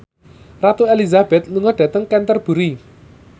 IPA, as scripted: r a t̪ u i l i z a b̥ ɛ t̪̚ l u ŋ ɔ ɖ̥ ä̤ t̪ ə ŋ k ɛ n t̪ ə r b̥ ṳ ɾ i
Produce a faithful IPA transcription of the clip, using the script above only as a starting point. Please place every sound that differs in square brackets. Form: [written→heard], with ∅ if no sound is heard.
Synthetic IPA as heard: r a t̪ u [i→e] l i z a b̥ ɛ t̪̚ l u ŋ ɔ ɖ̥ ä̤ t̪ ə ŋ k ɛ n t̪ ə r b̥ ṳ ɾ i